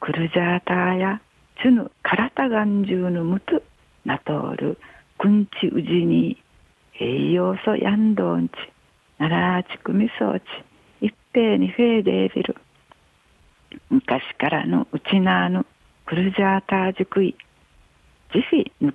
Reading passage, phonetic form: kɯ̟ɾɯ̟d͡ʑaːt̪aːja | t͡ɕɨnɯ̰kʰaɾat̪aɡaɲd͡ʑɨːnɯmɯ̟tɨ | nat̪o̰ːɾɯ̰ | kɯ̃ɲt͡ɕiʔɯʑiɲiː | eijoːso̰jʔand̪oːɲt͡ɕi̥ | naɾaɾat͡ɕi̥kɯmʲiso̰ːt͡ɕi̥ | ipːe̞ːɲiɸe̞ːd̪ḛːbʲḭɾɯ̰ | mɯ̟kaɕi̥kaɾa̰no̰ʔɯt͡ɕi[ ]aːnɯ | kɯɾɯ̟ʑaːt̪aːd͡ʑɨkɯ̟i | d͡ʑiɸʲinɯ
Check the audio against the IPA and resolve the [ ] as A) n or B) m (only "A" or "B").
A